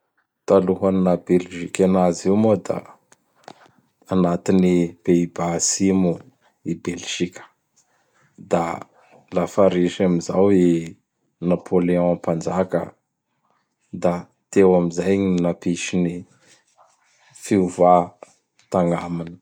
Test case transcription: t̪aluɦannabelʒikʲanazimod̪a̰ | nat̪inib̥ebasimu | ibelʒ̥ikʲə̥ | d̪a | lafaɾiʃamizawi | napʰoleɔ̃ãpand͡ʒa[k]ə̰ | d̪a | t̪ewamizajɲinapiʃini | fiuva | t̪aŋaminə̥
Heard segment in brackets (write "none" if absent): k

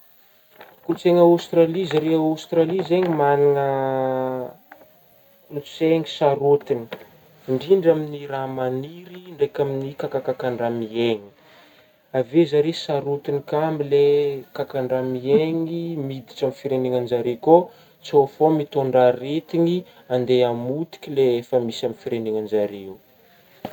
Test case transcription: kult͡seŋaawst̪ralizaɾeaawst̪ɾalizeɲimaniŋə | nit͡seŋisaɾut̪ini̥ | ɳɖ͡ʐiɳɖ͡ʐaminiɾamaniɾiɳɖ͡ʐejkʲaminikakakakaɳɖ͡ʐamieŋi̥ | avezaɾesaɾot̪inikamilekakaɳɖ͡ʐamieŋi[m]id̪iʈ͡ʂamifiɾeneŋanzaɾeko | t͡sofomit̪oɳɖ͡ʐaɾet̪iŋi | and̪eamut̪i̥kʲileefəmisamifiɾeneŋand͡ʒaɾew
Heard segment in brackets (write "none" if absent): m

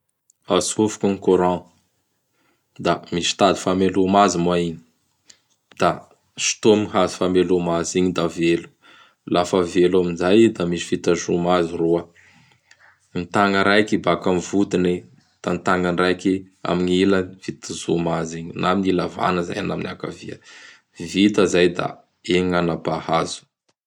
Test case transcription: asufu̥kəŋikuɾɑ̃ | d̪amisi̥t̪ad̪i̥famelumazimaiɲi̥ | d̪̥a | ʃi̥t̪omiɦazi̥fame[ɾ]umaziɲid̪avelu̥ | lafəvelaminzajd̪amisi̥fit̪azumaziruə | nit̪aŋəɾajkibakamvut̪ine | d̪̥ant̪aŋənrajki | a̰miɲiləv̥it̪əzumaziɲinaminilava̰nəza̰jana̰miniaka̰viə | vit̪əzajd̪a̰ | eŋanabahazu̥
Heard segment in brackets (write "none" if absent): l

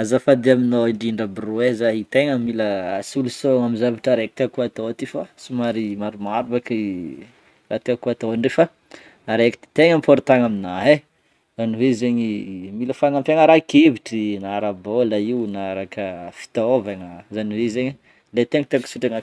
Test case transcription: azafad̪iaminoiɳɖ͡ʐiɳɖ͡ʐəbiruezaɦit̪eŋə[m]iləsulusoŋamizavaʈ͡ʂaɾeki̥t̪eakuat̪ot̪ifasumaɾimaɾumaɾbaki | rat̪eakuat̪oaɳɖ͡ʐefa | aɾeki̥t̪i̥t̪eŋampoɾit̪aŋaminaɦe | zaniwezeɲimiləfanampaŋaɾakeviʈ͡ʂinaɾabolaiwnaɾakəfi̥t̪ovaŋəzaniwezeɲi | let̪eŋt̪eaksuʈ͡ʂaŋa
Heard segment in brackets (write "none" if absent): m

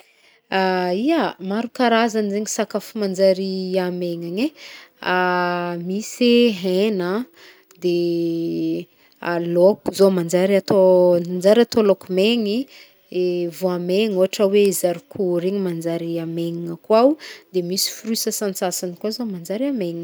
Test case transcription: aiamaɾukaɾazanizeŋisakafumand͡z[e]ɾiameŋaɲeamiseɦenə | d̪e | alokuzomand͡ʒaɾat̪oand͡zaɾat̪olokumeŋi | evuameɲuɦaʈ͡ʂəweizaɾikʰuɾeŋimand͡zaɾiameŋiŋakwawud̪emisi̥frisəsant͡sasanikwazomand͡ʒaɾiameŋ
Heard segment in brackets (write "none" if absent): a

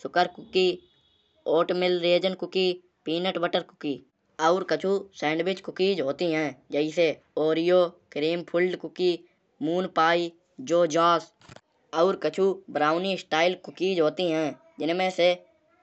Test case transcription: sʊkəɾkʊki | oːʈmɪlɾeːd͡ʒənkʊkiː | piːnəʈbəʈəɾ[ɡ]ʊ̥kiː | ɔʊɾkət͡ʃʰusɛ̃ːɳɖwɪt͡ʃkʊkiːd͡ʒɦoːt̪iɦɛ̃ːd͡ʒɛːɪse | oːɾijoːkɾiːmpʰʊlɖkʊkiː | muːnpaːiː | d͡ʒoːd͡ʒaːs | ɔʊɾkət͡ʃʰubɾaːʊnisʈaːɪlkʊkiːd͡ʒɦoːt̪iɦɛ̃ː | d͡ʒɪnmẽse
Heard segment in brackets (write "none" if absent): k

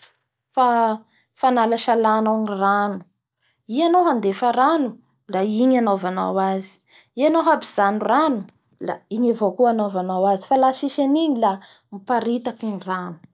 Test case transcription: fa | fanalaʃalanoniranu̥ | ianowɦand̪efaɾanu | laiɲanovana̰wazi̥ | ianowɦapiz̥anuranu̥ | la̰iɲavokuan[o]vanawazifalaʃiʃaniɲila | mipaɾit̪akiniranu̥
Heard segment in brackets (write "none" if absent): o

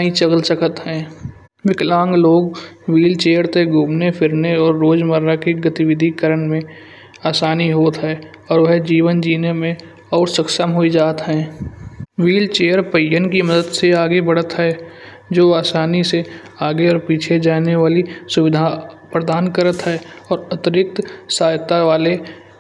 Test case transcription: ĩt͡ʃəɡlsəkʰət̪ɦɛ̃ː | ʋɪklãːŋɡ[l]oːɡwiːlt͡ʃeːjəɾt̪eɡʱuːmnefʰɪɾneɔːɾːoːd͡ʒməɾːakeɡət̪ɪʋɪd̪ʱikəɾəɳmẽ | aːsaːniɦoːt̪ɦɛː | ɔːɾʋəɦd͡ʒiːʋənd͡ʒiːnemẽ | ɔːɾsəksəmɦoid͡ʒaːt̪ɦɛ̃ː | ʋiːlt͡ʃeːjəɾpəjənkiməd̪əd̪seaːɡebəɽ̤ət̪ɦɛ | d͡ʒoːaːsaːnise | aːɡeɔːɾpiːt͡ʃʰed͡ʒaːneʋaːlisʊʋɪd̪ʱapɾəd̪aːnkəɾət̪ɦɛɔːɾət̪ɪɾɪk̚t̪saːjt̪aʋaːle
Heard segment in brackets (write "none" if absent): l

